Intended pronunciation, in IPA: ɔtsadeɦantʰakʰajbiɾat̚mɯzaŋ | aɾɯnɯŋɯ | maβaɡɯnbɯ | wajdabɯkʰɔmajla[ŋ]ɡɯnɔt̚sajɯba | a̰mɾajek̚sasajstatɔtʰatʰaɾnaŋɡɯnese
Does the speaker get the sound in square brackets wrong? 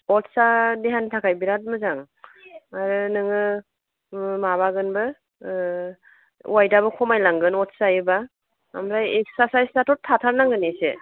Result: no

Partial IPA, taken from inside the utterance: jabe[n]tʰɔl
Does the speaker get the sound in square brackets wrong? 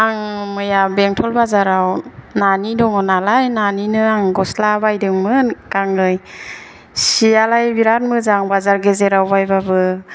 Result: yes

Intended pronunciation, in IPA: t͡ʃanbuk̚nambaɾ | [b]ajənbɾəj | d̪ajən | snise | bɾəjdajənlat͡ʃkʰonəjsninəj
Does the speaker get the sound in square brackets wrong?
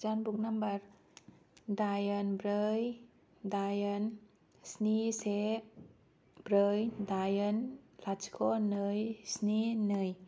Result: yes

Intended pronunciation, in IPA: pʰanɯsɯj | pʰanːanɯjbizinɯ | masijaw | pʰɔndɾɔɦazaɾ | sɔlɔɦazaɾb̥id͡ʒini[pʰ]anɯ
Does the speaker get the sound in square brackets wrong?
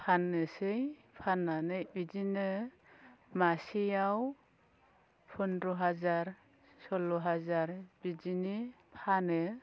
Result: no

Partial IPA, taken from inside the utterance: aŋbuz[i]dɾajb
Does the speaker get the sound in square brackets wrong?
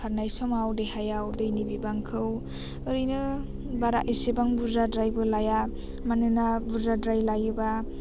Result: yes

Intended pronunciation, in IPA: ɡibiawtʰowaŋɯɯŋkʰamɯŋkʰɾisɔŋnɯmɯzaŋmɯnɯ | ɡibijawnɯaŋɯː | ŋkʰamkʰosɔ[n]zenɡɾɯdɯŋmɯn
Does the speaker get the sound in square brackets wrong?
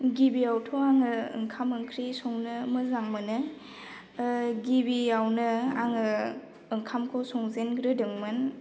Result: yes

